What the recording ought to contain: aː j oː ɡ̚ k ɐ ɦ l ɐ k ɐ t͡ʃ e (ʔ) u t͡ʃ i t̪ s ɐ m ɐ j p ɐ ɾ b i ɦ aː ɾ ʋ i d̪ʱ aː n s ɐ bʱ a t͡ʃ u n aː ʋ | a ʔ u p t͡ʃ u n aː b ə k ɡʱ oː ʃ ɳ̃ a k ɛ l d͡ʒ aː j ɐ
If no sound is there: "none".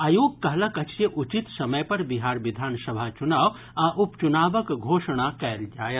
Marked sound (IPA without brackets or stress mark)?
ʔ